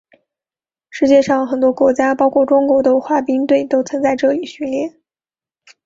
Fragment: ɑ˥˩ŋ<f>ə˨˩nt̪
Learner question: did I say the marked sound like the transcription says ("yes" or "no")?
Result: no